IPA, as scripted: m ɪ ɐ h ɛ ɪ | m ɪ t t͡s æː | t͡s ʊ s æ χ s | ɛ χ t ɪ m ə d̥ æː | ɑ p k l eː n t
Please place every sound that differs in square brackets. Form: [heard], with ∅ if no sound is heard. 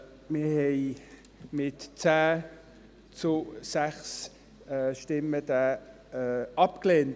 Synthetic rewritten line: m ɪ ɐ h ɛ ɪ | m ɪ t t͡s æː | t͡s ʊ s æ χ s | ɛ [ʃ] t ɪ m ə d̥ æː | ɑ p k l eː n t